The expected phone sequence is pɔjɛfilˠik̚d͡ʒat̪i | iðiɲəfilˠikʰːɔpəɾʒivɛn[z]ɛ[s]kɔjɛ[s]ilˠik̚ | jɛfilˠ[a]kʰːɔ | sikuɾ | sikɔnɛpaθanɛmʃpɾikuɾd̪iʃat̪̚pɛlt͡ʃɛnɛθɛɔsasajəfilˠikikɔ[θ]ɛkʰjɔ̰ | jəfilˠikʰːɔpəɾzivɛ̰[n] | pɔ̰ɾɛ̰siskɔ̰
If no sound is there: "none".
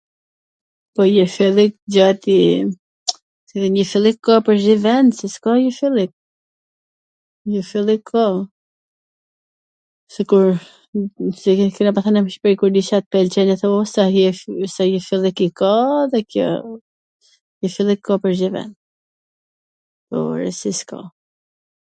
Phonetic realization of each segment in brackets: s, s, f, i, ð, n

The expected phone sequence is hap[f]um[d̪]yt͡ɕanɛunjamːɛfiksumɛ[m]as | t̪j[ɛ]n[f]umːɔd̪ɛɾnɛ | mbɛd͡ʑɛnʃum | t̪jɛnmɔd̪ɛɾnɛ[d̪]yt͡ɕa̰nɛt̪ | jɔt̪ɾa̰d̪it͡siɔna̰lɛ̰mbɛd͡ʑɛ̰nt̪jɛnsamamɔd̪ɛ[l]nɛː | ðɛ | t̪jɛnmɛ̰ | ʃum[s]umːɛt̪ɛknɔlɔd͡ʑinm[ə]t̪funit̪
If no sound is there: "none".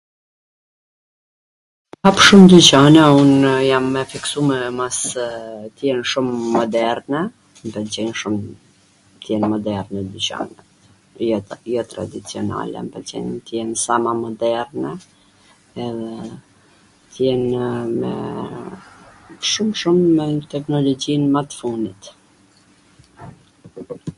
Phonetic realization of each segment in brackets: ʃ, d̪, m, ɛ, ʃ, d̪, ɾ, ʃ, a

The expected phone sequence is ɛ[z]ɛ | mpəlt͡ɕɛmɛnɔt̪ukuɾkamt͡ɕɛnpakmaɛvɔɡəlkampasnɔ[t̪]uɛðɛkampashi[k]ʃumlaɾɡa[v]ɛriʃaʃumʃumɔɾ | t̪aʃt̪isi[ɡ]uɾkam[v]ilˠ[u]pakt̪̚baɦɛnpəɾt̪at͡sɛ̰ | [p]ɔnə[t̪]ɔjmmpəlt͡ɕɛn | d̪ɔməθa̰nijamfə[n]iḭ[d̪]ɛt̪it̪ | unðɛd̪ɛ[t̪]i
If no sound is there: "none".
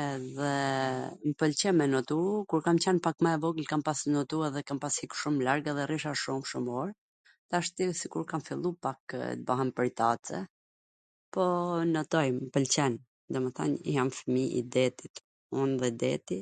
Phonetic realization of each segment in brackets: ð, t̪, k, ð, k, f, u, p, t̪, m, d̪, t̪

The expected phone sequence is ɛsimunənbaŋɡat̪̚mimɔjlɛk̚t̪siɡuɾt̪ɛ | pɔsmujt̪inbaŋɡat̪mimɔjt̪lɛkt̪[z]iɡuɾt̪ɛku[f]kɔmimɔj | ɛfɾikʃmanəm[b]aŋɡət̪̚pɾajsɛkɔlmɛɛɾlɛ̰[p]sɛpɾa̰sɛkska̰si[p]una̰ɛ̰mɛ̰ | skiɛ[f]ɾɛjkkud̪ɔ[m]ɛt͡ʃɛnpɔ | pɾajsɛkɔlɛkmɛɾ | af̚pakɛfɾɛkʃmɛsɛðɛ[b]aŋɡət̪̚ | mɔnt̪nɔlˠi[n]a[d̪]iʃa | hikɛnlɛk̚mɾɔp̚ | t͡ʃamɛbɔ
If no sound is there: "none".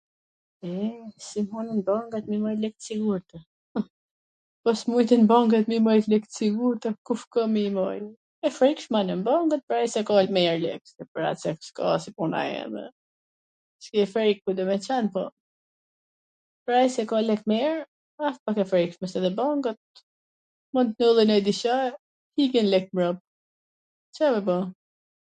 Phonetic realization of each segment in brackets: s, f, b, k, p, f, m, b, n, d̪

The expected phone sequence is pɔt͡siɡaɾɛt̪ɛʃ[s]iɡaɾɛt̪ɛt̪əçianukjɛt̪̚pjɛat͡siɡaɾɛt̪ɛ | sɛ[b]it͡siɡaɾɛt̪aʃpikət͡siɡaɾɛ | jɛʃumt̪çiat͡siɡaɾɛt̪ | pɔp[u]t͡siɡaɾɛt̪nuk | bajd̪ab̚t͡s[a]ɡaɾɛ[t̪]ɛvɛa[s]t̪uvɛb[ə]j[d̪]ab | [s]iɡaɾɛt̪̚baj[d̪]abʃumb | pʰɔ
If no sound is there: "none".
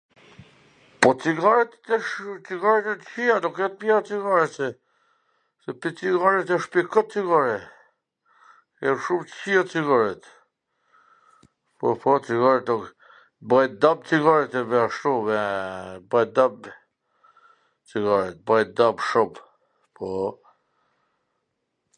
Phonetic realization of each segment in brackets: t͡s, p, ɔ, i, t̪, ʃ, a, d̪, t͡s, d̪

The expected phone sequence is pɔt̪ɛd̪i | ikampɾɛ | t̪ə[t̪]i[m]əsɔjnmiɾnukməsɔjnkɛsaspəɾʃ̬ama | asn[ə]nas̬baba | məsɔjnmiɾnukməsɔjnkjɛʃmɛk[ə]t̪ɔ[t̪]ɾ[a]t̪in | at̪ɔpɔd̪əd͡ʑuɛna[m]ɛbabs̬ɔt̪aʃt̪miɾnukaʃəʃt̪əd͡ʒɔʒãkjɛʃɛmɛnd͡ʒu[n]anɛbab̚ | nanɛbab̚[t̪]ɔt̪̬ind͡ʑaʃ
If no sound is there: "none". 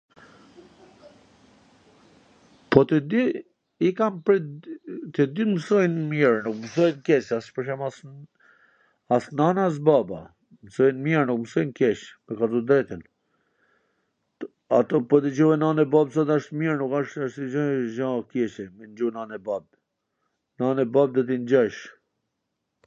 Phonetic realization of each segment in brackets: d̪, m, a, a, d̪, ɛ, n, n, d̪

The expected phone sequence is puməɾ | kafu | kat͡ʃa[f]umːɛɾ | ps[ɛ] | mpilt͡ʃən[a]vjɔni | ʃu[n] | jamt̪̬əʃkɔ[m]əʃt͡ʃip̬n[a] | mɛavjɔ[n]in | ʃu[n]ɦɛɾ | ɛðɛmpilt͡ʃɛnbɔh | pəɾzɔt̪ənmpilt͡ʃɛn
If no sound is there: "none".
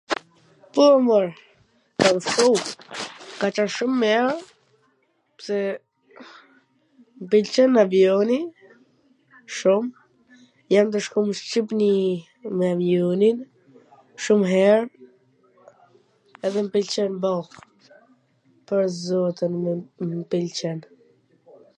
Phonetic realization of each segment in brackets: ʃ, ɛ, a, m, m, i, n, m

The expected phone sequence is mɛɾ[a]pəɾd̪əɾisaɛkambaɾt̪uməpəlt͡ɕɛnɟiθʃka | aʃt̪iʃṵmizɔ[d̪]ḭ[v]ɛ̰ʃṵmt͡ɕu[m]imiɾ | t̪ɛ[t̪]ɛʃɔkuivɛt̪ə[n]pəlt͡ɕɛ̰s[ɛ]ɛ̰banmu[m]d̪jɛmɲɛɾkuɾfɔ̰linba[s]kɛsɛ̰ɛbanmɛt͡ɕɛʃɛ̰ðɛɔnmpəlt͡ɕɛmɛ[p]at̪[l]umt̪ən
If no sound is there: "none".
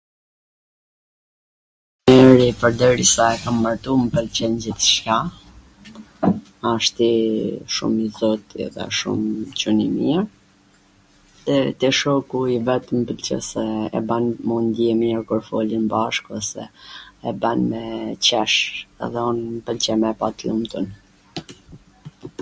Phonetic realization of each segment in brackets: i, t̪, ð, n, t̪, m, ɛ, n, ʃ, p, l

